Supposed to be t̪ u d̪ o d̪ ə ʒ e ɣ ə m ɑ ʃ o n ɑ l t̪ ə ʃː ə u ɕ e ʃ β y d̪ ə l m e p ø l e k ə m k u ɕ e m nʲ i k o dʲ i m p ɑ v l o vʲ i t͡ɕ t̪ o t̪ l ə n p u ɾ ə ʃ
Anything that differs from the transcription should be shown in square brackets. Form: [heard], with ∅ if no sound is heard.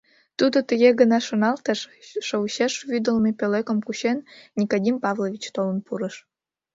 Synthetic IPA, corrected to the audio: t̪ u d̪ o [t̪] ə [ɣ] e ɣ ə [n] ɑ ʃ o n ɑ l t̪ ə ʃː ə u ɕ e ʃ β y d̪ ə l m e p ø l e k ə m k u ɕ e [n] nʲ i k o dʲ i m p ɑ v l o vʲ i t͡ɕ t̪ o [∅] l ə n p u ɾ ə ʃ

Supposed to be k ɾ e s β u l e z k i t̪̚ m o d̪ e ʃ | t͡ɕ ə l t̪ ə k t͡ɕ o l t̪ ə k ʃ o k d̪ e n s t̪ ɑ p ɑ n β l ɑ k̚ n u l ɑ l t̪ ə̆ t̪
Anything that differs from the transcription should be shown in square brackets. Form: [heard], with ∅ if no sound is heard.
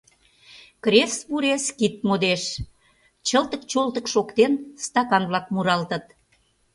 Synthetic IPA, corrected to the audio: k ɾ e s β u [ɾ] e [s] k i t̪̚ m o d̪ e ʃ | t͡ɕ ə l t̪ ə k t͡ɕ o l t̪ ə k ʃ o k [t̪] e n s t̪ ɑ [k] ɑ n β l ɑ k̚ [m] u [ɾ] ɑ l t̪ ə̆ t̪

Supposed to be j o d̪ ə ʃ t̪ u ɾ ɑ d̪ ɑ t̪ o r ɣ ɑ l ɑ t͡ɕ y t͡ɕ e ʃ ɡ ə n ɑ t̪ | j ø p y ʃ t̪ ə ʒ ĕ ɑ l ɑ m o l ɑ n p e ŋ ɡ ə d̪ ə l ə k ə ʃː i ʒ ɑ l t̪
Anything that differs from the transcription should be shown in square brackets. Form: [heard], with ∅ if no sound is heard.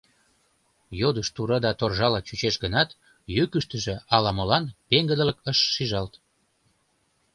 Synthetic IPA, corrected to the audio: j o d̪ ə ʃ t̪ u ɾ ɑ d̪ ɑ t̪ o r [ʒ] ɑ l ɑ t͡ɕ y t͡ɕ e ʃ ɡ ə n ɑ t̪ | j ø [k] y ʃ t̪ ə ʒ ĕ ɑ l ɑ m o l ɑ n p e ŋ ɡ ə d̪ ə l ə k ə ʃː i ʒ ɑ l t̪

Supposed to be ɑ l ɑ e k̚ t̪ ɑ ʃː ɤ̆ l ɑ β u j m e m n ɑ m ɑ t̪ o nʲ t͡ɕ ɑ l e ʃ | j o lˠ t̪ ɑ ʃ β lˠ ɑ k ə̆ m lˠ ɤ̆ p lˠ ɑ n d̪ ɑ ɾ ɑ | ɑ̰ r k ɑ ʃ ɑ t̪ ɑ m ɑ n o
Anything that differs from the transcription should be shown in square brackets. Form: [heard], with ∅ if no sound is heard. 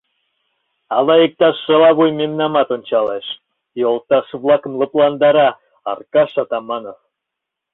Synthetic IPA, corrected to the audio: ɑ l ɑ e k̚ t̪ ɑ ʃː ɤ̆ l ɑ β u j m e m n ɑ m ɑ t̪ o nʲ t͡ɕ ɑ l e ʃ | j o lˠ t̪ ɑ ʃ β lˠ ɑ k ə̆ m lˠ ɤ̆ p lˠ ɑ n d̪ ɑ ɾ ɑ | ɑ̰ r k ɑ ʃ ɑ t̪ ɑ m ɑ n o

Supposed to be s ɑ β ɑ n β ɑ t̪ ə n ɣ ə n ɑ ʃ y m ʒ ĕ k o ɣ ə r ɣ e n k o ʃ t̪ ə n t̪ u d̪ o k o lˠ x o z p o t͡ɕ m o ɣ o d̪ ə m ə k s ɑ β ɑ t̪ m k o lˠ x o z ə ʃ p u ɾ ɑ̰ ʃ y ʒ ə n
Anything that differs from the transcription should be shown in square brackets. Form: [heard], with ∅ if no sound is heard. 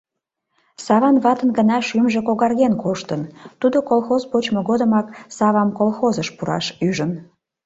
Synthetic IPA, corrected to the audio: s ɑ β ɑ n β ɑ t̪ ə n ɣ ə n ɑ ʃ y m ʒ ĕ k o ɣ [ɑ] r ɣ e n k o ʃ t̪ ə n t̪ u d̪ o k o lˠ x o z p o t͡ɕ m o ɣ o d̪ ə m [ɑ] k s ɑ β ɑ [∅] m k o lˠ x o z ə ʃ p u ɾ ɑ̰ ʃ y ʒ ə n

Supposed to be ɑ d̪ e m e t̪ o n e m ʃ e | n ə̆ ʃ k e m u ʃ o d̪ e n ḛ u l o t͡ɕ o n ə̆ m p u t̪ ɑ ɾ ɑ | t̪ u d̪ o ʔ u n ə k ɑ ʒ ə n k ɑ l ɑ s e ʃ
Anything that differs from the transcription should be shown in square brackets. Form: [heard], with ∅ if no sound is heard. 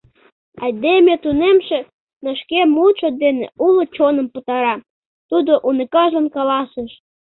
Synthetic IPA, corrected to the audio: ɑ d̪ e m e t̪ [u] n e m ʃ e | n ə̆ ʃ k e m u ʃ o d̪ e n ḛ u l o t͡ɕ o n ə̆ m p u t̪ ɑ ɾ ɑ | t̪ u d̪ o ʔ u n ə k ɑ ʒ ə n k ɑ l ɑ s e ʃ

